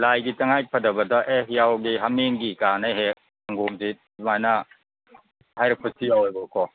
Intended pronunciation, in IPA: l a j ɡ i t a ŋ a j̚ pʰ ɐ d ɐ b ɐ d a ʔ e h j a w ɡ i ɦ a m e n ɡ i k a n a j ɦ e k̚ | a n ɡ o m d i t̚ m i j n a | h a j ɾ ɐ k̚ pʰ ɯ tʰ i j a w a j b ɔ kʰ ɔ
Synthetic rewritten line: l a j ɡ i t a ŋ a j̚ pʰ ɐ d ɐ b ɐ d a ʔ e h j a w ɡ i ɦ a m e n ɡ i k a n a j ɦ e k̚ | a ŋ ɡ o m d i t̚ m a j n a | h a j ɾ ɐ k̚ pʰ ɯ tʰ i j a w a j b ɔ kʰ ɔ